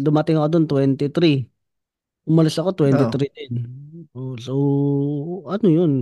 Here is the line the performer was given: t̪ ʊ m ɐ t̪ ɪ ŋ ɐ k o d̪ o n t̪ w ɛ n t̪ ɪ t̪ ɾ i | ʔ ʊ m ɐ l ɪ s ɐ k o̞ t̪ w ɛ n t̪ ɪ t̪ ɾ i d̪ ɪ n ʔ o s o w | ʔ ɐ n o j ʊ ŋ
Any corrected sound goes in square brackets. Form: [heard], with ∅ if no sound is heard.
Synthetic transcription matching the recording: [d̪] ʊ m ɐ t̪ ɪ ŋ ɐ k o d̪ o n t̪ w ɛ n t̪ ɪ t̪ ɾ i | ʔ ʊ m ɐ l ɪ s ɐ k o̞ t̪ w ɛ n t̪ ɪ t̪ ɾ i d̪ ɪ n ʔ o s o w | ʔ ɐ n o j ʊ [n]